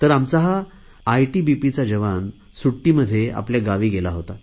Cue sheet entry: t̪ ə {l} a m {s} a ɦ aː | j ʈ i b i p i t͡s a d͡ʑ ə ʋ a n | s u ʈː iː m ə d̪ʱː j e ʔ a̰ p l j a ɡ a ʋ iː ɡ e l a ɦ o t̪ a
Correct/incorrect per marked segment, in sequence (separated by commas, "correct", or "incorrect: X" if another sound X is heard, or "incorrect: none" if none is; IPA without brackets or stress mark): incorrect: ɾ, incorrect: t͡s